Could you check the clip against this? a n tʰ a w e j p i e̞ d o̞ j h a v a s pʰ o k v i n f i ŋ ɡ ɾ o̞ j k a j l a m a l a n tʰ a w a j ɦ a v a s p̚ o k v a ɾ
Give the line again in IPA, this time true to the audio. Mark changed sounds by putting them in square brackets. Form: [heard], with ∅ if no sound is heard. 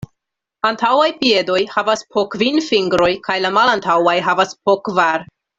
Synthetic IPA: a n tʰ a w [a] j p i e̞ d o̞ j h a v a s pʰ o k v i n f i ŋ ɡ ɾ o̞ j k a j l a m a l a n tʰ a w a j ɦ a v a s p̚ o k v a ɾ